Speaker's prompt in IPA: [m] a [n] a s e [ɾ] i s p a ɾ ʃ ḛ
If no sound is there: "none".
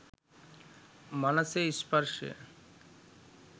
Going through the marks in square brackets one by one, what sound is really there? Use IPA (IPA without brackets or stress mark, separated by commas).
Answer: m, n, none